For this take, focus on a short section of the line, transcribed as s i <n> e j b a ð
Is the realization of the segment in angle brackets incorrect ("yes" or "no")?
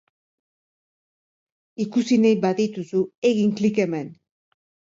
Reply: no